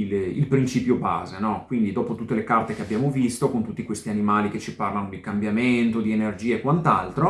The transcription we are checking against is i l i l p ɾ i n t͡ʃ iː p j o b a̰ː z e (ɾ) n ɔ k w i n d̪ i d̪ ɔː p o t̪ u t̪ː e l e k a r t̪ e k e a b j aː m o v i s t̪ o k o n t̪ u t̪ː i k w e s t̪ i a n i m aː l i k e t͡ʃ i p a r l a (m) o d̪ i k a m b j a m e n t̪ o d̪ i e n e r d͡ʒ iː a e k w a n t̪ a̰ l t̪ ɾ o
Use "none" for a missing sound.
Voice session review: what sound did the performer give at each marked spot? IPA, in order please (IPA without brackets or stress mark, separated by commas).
none, n